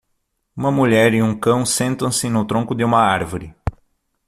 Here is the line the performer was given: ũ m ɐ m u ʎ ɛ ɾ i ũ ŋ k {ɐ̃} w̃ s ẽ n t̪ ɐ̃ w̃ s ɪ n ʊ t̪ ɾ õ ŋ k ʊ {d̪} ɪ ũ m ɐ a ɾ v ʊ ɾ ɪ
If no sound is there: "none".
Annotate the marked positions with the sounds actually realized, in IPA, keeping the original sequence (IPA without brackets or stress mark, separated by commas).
ɐ̃, d̪